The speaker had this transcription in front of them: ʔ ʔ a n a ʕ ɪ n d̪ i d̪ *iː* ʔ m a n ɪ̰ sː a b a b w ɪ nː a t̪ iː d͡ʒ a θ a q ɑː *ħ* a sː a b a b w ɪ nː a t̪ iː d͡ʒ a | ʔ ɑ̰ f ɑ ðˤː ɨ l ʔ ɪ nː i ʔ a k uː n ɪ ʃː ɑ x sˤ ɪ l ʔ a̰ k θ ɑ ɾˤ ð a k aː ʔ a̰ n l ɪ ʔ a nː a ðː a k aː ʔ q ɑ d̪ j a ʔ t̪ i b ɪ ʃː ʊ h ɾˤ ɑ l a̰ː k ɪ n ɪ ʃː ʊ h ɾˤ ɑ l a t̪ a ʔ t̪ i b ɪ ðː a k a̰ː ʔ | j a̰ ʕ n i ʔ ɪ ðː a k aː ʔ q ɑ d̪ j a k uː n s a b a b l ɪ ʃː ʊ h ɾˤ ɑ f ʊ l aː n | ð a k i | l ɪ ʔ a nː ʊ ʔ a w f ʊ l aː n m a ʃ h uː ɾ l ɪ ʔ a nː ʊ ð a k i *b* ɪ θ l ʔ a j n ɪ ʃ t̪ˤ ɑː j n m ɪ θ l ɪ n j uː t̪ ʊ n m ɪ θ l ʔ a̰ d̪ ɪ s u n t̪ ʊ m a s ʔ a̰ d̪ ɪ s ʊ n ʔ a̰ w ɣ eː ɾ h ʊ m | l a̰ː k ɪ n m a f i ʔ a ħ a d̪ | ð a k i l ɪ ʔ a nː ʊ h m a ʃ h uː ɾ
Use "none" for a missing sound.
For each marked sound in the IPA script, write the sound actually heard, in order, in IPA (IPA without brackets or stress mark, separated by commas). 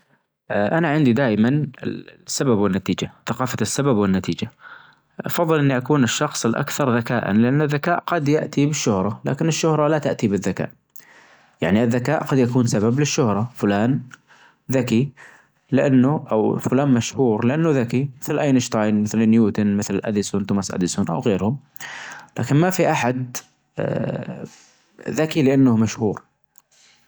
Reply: aː, f, m